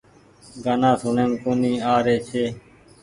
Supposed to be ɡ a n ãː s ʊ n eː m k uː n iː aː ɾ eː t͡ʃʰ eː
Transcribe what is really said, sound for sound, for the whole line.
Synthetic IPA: ɡ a n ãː s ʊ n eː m k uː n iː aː ɾ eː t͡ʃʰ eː